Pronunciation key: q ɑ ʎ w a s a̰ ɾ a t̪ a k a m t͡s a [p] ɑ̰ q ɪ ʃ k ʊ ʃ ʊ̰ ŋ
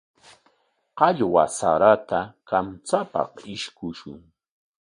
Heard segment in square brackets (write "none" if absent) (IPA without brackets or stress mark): p